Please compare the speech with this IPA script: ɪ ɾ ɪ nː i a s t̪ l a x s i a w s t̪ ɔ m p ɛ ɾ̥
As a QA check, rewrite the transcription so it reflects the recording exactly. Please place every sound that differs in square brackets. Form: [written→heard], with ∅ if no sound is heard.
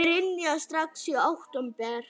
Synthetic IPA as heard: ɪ ɾ ɪ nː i a s t̪ [l→ɾ] a [x→k] s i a w [s→h] t̪ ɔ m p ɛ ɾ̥